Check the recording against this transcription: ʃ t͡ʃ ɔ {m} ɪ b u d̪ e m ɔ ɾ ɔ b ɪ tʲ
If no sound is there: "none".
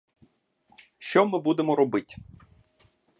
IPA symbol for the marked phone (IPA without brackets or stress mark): m